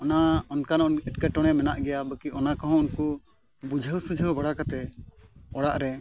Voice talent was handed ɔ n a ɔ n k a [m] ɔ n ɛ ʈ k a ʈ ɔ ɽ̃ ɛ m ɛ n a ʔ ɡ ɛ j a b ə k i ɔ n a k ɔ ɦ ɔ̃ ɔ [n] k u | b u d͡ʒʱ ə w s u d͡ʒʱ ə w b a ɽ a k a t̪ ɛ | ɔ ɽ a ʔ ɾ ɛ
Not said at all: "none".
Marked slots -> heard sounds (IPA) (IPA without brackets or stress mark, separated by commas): n, n